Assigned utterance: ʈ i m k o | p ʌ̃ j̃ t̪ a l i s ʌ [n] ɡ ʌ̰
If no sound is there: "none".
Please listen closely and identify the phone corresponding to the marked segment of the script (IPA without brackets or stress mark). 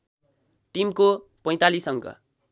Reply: ŋ